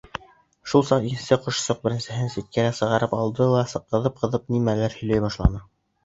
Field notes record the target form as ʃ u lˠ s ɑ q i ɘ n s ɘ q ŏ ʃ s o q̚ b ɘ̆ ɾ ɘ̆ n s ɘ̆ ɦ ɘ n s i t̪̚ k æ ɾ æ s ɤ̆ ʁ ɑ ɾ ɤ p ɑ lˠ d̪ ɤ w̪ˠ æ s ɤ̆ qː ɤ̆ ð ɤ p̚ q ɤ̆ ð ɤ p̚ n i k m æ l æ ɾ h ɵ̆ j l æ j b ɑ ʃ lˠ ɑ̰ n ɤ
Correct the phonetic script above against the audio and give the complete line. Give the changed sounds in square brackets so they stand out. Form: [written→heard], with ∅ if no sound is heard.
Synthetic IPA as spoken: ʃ u lˠ s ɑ q i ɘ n s ɘ q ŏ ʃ s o q̚ b ɘ̆ ɾ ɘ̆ n s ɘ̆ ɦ ɘ n s i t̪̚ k æ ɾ æ s ɤ̆ ʁ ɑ ɾ ɤ p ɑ lˠ d̪ ɤ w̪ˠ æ s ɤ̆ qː ɤ̆ ð ɤ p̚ q ɤ̆ ð ɤ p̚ n i [k→∅] m æ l æ ɾ h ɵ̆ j l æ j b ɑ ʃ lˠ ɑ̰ n ɤ